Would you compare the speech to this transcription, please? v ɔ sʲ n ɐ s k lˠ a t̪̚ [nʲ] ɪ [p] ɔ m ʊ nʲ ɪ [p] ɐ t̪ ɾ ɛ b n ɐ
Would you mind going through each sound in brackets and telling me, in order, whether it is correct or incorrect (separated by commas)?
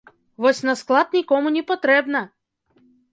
correct, incorrect, correct